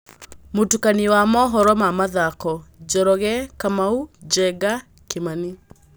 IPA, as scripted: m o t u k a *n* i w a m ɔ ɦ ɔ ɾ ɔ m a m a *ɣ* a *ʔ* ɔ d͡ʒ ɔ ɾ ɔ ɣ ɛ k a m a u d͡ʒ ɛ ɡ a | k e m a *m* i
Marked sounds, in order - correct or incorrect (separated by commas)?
correct, incorrect, incorrect, incorrect